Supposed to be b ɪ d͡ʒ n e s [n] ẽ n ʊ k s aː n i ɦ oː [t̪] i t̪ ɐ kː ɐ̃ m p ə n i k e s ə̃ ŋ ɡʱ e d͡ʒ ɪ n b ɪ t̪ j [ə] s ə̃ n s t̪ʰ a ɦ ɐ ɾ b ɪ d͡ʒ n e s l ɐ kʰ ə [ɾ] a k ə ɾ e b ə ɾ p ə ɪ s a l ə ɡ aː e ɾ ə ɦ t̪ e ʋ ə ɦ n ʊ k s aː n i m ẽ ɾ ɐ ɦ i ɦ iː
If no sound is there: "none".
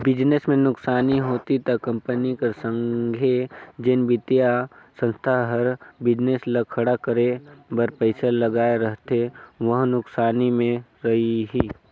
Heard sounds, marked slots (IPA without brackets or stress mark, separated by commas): m, t̪, a, ɽ